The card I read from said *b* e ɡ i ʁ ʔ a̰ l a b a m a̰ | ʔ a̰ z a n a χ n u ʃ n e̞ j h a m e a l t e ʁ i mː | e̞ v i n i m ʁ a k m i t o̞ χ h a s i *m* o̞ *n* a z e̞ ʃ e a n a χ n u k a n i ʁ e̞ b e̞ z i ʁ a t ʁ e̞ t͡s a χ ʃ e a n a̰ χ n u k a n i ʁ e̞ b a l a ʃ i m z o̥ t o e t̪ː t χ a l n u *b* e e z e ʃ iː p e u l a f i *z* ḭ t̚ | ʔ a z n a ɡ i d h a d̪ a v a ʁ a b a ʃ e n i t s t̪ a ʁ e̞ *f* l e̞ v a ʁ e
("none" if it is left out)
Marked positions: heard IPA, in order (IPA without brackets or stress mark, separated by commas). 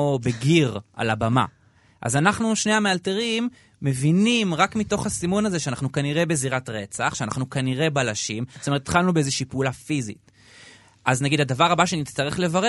b, m, n, b, z, χ